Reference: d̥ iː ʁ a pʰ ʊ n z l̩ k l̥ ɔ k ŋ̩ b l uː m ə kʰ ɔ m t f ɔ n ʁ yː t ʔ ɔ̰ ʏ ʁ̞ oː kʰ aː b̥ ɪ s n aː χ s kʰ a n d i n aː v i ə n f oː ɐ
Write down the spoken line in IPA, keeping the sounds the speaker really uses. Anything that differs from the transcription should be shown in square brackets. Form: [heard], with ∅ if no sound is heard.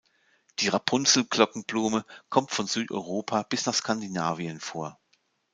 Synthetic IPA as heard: d̥ iː ʁ a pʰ ʊ n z l̩ k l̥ ɔ k ŋ̩ b l uː m ə kʰ ɔ m t f ɔ n [z] yː t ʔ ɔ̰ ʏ ʁ̞ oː [pʰ] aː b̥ ɪ s n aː χ s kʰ a n d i n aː v i ə n f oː ɐ